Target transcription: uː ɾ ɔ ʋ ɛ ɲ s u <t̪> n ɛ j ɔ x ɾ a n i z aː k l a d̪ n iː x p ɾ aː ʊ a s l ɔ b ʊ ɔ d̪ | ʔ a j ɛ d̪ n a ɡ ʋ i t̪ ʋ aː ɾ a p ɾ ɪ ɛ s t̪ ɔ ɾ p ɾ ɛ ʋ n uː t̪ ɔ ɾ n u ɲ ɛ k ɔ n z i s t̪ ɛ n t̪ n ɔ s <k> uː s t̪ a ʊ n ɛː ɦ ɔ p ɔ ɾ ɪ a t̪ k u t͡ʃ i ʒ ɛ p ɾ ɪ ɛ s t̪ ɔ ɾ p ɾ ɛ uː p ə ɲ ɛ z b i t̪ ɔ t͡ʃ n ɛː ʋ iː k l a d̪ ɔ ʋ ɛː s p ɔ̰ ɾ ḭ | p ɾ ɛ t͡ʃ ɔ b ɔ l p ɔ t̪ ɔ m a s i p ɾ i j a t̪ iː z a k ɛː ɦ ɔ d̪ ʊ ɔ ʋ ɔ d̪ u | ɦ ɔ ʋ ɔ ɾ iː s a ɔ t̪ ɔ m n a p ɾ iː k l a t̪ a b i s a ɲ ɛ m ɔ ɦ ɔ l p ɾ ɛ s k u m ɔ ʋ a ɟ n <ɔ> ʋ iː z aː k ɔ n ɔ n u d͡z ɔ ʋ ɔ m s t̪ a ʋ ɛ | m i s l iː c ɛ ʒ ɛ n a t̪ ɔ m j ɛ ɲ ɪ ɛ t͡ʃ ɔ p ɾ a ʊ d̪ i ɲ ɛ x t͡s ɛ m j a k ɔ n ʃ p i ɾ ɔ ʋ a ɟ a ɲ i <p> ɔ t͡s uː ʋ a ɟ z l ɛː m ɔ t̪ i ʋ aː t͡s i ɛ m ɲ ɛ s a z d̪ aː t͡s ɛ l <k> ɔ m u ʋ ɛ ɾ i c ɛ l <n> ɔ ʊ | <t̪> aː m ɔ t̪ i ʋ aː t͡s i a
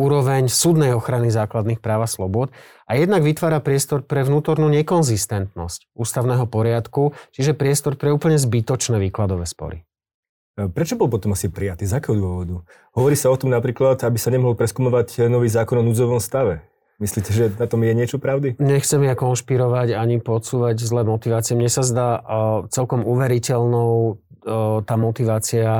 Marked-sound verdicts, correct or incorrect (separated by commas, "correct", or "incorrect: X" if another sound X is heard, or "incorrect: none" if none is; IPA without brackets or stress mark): incorrect: d̪, incorrect: c, correct, correct, correct, correct, correct